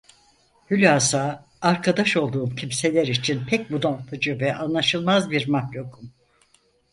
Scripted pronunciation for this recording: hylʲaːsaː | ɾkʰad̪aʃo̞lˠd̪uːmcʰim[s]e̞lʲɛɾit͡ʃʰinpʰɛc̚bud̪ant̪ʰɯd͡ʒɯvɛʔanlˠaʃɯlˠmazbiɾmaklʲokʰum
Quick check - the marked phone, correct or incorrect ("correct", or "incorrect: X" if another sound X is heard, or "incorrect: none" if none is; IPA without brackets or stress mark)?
correct